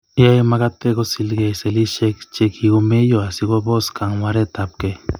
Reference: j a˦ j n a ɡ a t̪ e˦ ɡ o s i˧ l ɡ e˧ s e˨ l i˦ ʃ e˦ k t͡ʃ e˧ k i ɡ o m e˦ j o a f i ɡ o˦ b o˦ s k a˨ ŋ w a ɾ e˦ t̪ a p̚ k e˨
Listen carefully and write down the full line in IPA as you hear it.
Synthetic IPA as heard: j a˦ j m a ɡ a t̪ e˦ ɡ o s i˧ l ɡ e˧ s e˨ l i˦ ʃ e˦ k t͡ʃ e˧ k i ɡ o m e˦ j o a s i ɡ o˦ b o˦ s k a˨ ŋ w a ɾ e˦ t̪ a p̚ k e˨